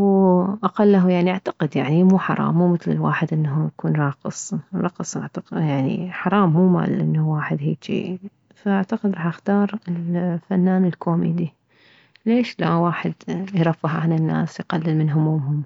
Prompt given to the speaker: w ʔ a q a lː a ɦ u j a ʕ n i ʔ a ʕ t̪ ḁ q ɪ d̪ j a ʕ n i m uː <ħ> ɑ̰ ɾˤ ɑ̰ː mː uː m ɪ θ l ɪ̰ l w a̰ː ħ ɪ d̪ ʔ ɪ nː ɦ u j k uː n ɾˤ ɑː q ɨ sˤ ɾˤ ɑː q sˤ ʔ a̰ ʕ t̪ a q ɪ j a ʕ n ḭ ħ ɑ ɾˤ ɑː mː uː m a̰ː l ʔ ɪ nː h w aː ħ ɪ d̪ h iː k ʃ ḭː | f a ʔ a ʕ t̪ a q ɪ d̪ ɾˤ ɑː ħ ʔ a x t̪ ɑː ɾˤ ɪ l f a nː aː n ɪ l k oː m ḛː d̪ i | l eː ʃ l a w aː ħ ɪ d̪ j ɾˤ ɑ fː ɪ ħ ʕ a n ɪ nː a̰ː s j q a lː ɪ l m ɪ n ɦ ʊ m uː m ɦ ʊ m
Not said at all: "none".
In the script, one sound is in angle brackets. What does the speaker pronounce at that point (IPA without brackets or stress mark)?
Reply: ħ